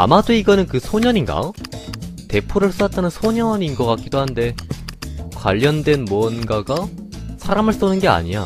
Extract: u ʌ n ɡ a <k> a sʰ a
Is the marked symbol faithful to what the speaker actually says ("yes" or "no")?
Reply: no